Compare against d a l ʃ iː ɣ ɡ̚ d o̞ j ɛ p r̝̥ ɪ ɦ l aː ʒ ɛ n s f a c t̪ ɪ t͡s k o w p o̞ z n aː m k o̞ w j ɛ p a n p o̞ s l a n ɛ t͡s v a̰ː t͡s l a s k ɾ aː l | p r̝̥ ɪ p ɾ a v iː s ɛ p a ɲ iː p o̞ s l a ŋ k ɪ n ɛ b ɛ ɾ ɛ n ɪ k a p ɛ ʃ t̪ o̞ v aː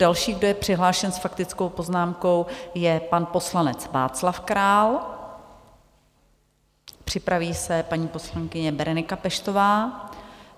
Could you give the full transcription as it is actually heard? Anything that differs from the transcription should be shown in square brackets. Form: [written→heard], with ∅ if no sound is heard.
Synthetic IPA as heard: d a l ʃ iː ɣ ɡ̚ d o̞ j ɛ p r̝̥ ɪ ɦ l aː [ʒ→ʃ] ɛ n s f a [c→k] t̪ ɪ t͡s k o w p o̞ z n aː m k o̞ w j ɛ p a n p o̞ s l a n ɛ t͡s v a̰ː t͡s l a [s→f] k ɾ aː l | p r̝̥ ɪ p ɾ a v iː s ɛ p a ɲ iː p o̞ s l a ŋ k ɪ [n→ɲ] ɛ b ɛ ɾ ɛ n ɪ k a p ɛ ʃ t̪ o̞ v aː